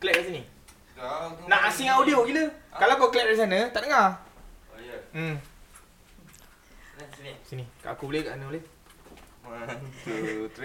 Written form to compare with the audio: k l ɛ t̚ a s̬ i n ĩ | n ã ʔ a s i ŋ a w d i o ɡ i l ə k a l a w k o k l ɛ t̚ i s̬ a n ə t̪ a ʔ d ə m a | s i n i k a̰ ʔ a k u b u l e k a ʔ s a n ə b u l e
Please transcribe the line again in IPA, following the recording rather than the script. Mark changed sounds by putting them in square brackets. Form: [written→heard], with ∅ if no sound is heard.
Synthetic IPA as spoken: k l ɛ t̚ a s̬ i n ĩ | n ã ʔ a s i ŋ a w d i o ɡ i l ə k a l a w k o k l ɛ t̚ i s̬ a n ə t̪ a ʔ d ə [m→ŋ] a | s i n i k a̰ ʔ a k u b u l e k a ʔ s a n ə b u l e